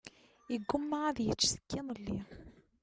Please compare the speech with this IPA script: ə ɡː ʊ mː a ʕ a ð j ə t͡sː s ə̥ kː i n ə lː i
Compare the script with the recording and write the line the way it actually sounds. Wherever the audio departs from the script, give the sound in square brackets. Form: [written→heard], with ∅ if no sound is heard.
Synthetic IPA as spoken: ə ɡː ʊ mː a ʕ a ð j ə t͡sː s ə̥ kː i n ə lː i